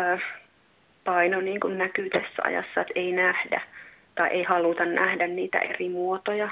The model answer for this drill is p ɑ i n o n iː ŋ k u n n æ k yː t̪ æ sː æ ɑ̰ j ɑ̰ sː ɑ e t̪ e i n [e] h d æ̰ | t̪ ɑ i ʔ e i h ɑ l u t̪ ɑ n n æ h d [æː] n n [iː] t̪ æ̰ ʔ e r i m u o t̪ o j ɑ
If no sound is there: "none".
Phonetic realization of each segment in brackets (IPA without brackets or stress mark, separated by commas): æ, æ, iː